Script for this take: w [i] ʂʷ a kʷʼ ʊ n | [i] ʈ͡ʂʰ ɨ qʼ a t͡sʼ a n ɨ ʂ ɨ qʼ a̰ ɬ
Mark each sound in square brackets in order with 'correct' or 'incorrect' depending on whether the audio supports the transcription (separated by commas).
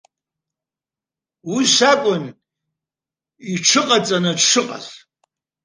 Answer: correct, correct